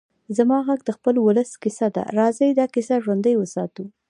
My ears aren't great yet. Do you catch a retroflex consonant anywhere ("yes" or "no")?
no